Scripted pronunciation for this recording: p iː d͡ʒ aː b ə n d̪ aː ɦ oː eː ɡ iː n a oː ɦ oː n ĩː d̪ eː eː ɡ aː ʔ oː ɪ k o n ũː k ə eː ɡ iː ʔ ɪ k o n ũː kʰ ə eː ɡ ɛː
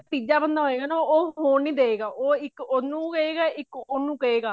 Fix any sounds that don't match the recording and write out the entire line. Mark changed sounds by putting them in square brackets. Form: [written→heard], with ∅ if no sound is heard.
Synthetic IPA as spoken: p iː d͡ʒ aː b ə n d̪ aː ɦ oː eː ɡ [iː→aː] n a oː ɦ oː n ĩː d̪ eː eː ɡ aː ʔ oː ɪ k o n ũː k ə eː ɡ [iː→aː] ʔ ɪ k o n ũː [kʰ→k] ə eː ɡ [ɛː→aː]